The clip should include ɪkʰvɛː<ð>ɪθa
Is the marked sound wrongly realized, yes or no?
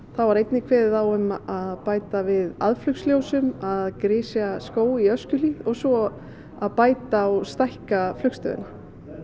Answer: no